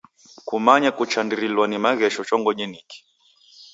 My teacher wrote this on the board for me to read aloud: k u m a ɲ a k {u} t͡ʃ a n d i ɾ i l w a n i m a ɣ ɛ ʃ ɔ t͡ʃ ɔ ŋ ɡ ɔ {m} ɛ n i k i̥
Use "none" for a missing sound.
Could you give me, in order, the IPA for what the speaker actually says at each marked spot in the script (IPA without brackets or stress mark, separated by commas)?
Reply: u, ɲ